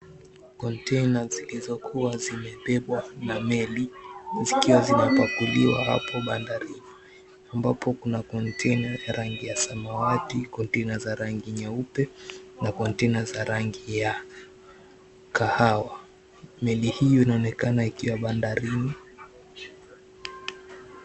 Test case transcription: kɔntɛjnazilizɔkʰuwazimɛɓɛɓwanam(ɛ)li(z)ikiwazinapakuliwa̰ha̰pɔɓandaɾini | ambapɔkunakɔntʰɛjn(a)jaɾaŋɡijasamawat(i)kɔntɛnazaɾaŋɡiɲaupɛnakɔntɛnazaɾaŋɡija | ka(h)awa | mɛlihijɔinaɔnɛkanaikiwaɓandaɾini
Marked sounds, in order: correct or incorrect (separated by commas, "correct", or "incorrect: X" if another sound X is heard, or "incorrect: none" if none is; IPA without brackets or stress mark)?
correct, correct, correct, correct, correct